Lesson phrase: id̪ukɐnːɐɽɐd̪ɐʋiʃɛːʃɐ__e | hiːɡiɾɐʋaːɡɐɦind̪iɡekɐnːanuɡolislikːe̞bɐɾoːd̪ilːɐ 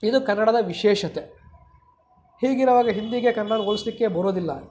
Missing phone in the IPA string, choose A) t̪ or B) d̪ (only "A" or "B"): A